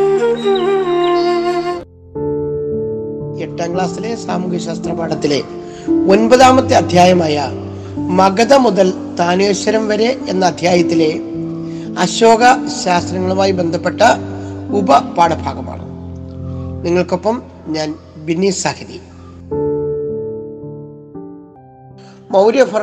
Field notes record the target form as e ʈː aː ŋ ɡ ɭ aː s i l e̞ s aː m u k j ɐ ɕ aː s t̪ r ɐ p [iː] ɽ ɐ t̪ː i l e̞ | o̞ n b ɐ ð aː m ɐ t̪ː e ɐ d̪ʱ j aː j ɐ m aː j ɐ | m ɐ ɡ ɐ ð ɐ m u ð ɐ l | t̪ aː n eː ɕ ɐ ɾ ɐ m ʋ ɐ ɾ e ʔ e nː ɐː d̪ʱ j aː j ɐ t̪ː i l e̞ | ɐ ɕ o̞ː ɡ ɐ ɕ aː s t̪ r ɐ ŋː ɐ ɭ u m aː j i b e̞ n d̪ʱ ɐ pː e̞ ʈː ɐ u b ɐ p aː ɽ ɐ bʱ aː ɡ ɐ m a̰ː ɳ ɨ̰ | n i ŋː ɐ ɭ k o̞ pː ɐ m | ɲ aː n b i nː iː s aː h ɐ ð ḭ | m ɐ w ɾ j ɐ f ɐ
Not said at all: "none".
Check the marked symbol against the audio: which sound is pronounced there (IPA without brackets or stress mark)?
aː